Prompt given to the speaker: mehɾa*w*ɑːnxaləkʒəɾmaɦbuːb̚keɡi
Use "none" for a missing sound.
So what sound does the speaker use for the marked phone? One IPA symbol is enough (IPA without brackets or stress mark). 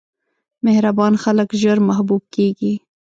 b